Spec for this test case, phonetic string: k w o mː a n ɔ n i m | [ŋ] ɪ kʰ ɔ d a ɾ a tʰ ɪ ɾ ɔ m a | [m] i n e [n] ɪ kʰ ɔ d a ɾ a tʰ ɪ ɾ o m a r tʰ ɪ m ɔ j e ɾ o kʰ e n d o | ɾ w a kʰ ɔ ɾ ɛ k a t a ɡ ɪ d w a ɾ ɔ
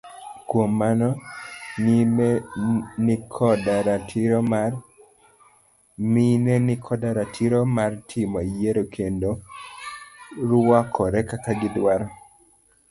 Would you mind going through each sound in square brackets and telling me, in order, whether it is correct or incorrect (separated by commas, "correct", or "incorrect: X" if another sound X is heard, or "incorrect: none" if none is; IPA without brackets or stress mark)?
incorrect: n, correct, correct